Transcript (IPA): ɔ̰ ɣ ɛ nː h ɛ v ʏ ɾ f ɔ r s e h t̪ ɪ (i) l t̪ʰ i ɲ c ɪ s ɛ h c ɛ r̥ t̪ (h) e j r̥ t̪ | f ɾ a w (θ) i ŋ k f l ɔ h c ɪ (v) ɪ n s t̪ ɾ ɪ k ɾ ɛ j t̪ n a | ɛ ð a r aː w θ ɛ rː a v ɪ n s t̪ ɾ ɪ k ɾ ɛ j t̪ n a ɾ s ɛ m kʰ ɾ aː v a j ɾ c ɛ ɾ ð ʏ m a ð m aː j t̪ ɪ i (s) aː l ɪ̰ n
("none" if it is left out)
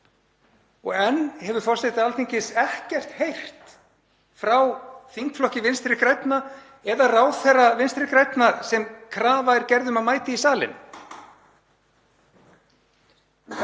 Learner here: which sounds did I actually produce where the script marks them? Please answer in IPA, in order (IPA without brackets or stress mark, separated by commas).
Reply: a, h, θ, v, s